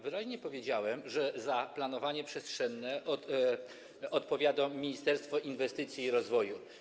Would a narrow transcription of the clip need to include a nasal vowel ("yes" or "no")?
no